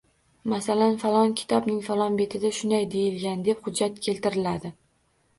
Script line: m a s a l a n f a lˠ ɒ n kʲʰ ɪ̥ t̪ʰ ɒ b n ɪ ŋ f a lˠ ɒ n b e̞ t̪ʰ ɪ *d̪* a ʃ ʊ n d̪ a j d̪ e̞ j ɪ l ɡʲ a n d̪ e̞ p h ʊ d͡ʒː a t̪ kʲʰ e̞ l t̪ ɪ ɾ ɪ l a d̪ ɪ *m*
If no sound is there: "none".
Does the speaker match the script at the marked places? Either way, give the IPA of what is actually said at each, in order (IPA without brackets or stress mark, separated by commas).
d̪, none